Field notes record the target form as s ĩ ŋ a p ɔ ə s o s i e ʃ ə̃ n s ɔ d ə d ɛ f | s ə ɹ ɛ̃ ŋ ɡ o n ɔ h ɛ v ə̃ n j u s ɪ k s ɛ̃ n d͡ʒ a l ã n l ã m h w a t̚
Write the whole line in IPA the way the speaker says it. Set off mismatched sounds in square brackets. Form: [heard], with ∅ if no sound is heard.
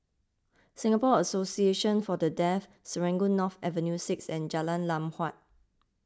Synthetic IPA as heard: s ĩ ŋ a p ɔ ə s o s i e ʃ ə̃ n [f] ɔ d ə d ɛ f | s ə ɹ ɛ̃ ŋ ɡ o n ɔ [f] ɛ v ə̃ n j u s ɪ k s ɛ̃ n d͡ʒ a l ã n l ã m h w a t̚